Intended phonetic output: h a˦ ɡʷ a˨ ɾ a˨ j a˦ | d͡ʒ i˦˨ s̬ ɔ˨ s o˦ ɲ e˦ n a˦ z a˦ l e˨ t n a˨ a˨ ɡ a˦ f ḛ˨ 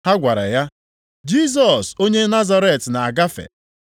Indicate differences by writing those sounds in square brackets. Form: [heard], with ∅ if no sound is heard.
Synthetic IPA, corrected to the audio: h a˦ ɡʷ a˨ ɾ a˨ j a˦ | d͡ʒ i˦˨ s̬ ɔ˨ s o˦ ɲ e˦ n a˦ z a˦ [ɾ] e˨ t n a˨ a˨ ɡ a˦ f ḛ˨